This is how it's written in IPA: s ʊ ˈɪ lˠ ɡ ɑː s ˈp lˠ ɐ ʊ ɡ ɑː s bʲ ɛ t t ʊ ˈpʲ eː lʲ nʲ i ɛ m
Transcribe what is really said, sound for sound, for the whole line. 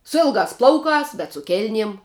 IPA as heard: s ʊ ˈɪ lˠ ɡ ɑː s ˈp lˠ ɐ ʊ k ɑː s bʲ ɛ t s ʊ ˈkʲ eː lʲ nʲ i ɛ m